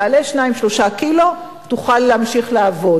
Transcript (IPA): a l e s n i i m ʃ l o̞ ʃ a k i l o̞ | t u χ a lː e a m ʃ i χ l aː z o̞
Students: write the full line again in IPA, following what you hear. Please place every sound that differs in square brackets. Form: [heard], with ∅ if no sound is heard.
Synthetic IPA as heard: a l e [ʃ] n [a] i m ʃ l o̞ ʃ a k i l o̞ | t u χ a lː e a m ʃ i χ l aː [v] o̞